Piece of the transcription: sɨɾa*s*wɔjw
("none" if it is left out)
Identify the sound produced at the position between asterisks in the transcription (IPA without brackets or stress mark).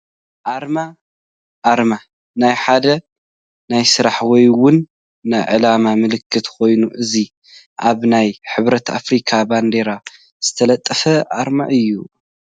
ħ